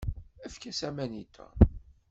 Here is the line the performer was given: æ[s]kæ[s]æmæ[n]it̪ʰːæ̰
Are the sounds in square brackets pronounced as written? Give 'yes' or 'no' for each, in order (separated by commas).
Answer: no, yes, yes